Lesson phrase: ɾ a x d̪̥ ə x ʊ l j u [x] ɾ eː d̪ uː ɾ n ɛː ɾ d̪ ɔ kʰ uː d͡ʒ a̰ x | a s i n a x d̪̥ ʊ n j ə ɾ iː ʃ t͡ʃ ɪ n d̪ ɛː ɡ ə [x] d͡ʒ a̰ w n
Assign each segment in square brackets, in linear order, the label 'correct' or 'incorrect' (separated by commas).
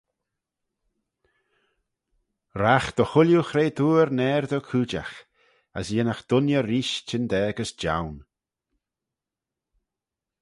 correct, incorrect